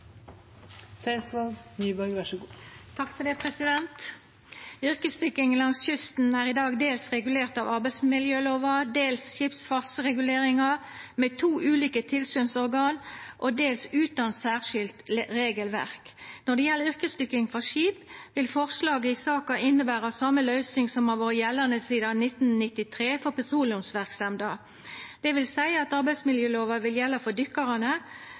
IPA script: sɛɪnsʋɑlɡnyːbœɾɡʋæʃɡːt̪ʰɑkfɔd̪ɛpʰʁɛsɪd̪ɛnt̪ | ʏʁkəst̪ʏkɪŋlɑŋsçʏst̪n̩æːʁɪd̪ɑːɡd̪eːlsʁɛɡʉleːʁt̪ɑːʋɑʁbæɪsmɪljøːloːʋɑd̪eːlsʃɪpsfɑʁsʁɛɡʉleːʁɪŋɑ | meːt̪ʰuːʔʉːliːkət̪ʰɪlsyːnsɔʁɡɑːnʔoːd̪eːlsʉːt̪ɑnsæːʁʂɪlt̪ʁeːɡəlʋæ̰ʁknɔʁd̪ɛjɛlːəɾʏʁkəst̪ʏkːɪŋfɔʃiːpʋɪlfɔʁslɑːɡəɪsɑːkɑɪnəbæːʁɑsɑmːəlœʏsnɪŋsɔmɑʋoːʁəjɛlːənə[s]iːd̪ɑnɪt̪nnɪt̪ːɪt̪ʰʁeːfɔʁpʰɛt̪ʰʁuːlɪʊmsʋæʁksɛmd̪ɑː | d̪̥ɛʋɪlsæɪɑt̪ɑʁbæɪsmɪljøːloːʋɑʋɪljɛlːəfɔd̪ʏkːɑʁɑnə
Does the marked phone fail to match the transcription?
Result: no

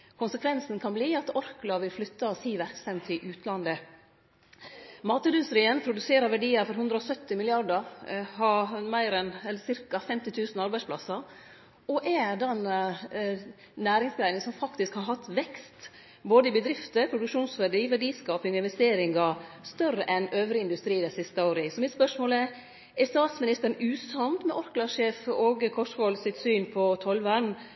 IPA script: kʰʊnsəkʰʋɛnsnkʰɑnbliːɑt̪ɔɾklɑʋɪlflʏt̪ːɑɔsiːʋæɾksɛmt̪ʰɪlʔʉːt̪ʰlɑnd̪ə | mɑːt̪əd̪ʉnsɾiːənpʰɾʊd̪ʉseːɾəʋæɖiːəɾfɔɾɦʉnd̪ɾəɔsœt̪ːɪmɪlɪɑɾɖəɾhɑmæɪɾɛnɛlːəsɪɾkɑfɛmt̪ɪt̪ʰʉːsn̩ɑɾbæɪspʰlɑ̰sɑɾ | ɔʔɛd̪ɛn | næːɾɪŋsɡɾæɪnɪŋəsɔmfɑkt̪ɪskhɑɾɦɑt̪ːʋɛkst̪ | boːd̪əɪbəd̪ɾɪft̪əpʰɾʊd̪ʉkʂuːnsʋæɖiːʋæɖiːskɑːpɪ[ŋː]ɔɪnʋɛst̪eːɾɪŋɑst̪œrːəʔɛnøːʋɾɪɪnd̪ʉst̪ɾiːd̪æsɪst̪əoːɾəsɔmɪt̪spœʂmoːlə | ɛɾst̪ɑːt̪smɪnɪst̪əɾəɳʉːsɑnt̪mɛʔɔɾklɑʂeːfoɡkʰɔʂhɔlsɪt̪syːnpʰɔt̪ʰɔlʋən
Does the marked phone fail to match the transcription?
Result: yes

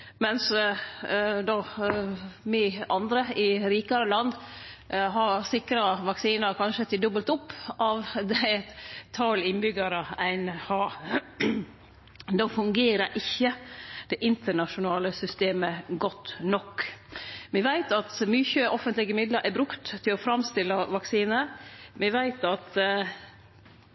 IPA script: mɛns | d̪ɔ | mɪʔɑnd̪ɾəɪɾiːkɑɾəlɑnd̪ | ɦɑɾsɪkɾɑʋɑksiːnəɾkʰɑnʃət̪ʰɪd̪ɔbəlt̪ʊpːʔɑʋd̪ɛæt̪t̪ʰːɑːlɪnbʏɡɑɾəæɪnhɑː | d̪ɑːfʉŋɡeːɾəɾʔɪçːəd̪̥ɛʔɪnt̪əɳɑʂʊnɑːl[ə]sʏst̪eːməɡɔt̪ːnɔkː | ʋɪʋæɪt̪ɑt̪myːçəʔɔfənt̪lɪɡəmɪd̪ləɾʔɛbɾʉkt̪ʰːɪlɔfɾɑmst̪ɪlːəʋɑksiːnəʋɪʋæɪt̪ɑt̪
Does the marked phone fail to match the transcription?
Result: no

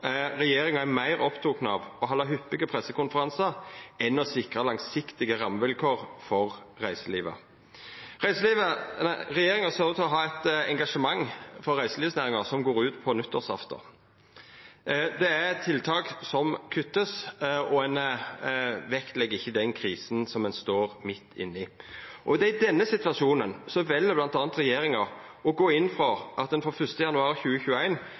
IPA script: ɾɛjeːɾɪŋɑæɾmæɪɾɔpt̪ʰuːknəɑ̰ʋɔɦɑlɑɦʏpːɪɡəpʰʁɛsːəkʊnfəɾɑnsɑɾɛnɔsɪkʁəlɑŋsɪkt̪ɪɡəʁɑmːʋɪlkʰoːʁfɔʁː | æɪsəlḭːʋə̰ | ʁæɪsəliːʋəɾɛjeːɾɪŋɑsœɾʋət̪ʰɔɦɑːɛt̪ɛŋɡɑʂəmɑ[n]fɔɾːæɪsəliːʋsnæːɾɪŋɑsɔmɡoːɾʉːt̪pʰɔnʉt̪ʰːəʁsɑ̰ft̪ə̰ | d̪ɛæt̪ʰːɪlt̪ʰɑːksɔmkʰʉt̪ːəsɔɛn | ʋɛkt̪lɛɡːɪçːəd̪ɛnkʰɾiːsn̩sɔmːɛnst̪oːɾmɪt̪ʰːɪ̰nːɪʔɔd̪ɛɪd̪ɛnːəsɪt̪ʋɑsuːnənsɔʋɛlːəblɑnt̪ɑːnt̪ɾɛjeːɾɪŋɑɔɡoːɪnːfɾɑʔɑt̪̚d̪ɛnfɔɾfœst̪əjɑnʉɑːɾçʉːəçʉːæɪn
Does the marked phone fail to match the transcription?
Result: yes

